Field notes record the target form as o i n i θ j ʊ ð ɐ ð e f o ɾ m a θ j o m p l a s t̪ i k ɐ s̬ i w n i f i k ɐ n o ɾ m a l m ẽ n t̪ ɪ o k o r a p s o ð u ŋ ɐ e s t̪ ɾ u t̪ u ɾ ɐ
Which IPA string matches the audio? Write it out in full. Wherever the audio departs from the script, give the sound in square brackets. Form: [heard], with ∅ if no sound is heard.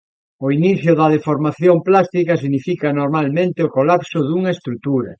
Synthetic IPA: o i n i θ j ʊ ð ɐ ð e f o ɾ m a θ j o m p l a s t̪ i k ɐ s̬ i [ɣ] n i f i k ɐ n o ɾ m a l m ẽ n t̪ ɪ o k o [l] a p s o ð u ŋ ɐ e s t̪ ɾ u t̪ u ɾ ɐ